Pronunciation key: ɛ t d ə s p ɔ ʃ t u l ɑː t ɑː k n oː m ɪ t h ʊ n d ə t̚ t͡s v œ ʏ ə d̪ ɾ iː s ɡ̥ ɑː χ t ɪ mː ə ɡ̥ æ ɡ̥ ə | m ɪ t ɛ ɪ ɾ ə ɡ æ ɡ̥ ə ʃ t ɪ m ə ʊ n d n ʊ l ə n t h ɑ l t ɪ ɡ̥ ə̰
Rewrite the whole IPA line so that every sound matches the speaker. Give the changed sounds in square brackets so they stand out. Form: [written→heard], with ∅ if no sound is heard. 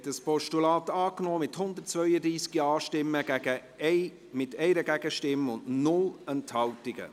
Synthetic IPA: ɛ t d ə s p ɔ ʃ t u l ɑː t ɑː k n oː m ɪ t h ʊ n d ə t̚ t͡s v œ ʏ ə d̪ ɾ iː s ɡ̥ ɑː [χ→ʃ] t ɪ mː ə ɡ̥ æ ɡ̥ ə | m ɪ t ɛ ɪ ɾ ə ɡ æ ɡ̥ ə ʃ t ɪ m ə ʊ n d n ʊ l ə n t h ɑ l t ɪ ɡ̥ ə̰